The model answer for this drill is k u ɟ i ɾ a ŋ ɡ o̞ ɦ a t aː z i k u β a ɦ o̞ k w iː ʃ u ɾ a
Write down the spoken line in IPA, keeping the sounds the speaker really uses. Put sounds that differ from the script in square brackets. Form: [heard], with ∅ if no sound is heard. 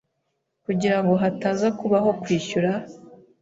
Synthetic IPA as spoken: k u ɟ i ɾ a ŋ ɡ o̞ ɦ a t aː z [a] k u β a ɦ o̞ k w iː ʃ u ɾ a